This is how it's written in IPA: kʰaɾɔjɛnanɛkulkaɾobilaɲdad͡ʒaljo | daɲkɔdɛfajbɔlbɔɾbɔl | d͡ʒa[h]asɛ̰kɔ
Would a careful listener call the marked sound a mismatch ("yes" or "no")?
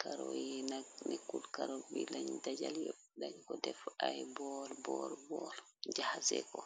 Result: no